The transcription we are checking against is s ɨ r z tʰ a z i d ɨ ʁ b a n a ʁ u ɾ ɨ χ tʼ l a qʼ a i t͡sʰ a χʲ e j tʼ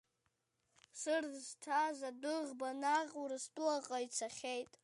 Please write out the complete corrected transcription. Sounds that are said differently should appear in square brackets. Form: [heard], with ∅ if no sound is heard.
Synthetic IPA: s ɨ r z tʰ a z [a] d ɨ ʁ b a n a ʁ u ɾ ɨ [s] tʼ l a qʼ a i t͡sʰ a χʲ e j tʼ